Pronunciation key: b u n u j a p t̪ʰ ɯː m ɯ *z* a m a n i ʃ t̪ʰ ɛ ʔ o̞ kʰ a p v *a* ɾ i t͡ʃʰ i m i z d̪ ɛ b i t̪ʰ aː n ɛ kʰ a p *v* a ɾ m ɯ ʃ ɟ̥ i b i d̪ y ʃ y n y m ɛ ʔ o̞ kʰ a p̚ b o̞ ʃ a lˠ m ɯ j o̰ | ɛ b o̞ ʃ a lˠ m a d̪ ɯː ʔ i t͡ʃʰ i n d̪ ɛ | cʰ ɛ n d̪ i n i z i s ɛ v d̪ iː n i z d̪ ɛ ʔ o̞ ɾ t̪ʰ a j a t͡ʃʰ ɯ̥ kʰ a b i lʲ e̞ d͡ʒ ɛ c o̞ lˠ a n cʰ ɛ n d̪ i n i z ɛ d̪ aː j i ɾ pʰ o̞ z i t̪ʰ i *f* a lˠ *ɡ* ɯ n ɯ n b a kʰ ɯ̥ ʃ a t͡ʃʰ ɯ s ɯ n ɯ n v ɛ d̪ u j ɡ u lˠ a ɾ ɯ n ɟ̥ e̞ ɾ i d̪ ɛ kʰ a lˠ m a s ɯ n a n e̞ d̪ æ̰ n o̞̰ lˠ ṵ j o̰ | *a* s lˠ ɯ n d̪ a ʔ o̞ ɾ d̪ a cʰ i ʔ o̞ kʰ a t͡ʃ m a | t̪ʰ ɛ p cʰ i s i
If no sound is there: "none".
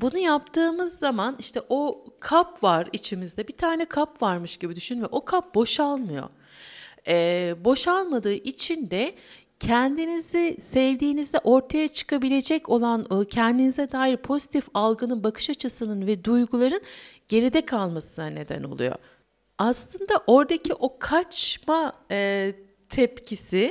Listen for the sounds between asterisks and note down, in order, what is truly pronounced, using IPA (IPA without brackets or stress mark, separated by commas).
zː, a, v, f, ɡ, a